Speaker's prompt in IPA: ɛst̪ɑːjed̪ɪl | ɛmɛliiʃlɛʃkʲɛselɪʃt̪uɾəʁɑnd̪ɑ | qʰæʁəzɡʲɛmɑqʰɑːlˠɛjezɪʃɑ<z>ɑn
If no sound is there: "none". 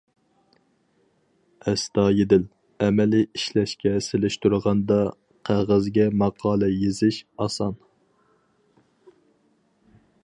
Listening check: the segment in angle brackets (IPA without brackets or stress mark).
s